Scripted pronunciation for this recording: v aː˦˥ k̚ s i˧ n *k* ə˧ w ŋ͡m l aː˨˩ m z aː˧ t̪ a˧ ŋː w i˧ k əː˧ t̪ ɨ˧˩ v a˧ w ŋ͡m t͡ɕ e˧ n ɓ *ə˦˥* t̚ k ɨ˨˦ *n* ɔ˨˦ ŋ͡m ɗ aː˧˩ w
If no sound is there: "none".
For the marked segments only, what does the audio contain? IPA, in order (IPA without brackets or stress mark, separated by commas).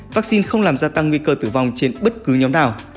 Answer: x, ə˦˥, ɲ